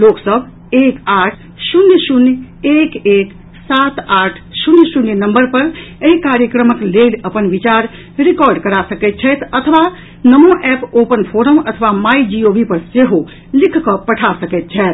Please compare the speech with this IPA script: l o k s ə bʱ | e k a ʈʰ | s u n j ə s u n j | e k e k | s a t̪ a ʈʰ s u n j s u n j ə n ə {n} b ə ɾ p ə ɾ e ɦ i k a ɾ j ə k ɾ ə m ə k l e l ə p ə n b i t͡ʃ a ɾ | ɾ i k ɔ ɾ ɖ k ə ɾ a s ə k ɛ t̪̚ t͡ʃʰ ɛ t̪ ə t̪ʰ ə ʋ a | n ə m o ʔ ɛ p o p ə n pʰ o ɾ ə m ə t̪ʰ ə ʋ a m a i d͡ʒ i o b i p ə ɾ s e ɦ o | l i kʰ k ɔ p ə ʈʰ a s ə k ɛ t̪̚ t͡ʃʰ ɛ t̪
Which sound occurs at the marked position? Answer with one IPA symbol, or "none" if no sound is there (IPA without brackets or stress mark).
m